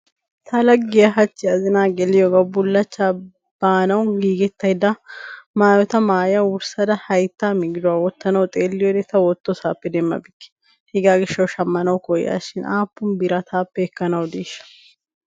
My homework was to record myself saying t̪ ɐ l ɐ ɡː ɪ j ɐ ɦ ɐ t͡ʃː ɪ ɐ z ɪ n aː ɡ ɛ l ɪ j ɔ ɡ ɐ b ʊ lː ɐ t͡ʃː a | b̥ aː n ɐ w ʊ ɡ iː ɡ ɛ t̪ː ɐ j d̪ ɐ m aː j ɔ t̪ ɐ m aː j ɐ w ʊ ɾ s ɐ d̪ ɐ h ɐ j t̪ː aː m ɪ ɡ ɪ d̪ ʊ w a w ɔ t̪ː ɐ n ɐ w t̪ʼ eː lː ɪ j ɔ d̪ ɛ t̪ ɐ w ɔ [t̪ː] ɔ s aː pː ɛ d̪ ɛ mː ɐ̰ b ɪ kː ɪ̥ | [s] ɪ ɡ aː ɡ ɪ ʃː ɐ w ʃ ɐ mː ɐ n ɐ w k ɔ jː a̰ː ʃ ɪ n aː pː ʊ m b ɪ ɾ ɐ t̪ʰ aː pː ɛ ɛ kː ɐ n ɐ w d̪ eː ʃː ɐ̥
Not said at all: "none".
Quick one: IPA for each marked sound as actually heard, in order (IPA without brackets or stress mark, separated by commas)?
t̪ː, h